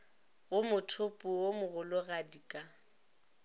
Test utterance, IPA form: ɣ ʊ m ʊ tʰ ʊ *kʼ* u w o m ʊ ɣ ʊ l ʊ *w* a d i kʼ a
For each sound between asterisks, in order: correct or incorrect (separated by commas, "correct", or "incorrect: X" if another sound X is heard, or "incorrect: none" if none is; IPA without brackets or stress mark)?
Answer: incorrect: pʼ, incorrect: ɣ